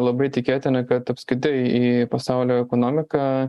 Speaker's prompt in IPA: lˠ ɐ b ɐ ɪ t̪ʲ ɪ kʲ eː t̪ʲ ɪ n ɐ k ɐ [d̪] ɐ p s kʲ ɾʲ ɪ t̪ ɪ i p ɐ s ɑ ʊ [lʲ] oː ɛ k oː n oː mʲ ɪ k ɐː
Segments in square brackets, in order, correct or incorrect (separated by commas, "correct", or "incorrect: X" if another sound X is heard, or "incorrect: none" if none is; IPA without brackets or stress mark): incorrect: t̪, correct